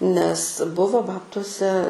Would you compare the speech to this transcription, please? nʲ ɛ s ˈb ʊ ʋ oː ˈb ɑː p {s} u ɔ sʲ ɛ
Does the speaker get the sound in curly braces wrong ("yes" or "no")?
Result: yes